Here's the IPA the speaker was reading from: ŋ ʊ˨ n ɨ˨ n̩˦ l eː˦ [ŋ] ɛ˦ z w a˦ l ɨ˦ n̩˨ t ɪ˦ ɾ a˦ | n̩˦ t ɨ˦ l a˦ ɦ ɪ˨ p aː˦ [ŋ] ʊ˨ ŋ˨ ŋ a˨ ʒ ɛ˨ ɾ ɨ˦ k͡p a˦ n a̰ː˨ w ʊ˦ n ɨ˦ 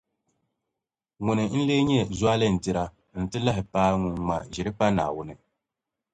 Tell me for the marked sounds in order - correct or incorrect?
incorrect, correct

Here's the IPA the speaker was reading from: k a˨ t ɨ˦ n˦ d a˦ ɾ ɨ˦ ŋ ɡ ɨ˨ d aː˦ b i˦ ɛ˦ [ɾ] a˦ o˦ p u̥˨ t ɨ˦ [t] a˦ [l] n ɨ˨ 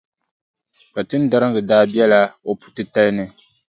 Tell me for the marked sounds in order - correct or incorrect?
incorrect, correct, correct

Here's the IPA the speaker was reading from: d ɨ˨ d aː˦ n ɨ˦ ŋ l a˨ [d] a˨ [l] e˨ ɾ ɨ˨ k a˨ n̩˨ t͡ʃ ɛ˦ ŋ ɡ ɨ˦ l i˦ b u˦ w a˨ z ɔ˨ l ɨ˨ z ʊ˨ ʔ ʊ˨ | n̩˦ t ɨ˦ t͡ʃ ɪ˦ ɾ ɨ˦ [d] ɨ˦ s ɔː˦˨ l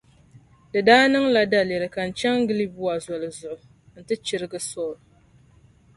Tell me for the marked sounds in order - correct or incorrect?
correct, correct, incorrect

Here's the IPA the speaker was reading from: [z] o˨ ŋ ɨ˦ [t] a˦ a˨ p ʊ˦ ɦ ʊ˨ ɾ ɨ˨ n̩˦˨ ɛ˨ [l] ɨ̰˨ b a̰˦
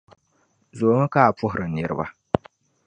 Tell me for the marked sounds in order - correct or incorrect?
correct, incorrect, incorrect

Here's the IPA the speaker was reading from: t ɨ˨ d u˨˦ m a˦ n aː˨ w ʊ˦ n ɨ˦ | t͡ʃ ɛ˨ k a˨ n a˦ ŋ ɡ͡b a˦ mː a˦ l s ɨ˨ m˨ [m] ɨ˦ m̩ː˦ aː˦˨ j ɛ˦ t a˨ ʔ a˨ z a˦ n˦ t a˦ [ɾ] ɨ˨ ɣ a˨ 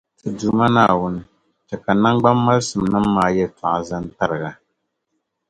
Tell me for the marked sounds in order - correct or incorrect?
incorrect, correct

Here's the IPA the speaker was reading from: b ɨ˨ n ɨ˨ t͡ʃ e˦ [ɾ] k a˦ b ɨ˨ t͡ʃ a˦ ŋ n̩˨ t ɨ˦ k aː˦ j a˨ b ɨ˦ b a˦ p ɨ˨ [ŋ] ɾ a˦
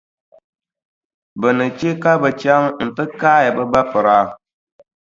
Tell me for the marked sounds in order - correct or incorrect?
incorrect, incorrect

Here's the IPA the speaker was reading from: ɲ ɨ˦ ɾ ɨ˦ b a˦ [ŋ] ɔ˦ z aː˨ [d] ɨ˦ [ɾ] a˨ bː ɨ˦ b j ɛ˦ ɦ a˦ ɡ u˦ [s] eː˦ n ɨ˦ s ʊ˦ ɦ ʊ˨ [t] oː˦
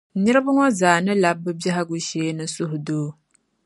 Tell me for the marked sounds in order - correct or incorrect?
correct, incorrect, incorrect, incorrect, incorrect

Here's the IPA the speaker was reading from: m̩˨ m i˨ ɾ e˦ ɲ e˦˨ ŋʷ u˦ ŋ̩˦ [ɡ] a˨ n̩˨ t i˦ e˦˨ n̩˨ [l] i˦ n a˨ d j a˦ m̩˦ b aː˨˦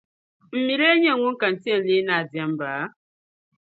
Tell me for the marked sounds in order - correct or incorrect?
incorrect, correct

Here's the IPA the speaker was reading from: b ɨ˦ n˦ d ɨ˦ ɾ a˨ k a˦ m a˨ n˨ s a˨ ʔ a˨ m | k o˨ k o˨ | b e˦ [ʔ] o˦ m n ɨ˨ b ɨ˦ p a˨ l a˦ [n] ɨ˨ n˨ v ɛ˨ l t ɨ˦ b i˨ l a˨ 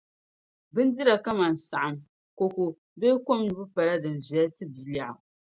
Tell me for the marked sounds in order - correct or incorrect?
incorrect, incorrect

